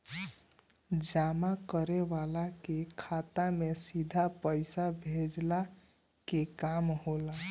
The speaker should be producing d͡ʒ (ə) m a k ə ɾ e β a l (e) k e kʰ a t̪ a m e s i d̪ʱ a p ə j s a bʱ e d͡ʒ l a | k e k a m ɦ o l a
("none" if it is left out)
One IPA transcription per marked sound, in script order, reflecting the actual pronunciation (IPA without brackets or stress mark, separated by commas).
a, a